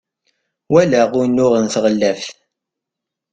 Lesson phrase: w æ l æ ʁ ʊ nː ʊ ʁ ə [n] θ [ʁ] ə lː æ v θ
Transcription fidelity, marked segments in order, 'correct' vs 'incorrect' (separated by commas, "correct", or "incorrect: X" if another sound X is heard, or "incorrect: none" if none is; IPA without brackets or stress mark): correct, correct